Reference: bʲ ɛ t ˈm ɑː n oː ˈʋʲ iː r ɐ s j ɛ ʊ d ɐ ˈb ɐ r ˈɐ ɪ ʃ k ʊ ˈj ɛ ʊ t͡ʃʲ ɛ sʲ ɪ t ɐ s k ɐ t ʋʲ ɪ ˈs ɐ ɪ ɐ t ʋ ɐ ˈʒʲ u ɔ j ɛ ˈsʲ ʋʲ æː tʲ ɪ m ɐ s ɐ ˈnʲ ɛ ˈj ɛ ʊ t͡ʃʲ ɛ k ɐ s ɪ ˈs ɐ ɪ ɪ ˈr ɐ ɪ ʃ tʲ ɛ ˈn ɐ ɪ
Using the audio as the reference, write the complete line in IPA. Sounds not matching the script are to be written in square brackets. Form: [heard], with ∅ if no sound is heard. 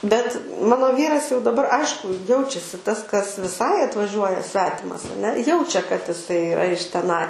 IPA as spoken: bʲ ɛ t ˈm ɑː n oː ˈʋʲ iː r ɐ s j ɛ ʊ d ɐ ˈb ɐ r ˈɐ ɪ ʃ k ʊ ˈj ɛ ʊ t͡ʃʲ ɛ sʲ ɪ t ɐ s k ɐ [s] ʋʲ ɪ ˈs ɐ ɪ ɐ t ʋ ɐ ˈʒʲ u ɔ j ɛ ˈsʲ ʋʲ æː tʲ ɪ m ɐ s ɐ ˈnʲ ɛ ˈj ɛ ʊ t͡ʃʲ ɛ k ɐ [t] ɪ ˈs ɐ ɪ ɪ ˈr ɐ ɪ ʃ tʲ ɛ ˈn ɐ ɪ